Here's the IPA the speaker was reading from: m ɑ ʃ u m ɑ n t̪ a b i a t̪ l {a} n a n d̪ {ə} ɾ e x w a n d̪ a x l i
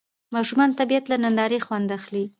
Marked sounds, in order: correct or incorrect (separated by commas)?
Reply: correct, incorrect